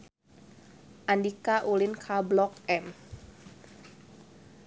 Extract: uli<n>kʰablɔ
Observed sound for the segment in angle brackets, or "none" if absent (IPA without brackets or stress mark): n